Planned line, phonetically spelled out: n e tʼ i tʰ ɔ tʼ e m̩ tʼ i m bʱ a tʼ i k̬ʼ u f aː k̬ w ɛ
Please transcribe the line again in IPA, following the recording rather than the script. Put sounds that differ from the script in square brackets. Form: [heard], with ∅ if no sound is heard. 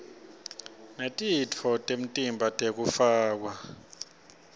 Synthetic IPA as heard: n e tʼ i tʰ ɔ tʼ e m̩ tʼ i m bʱ a tʼ [e] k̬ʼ u f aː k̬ w [a]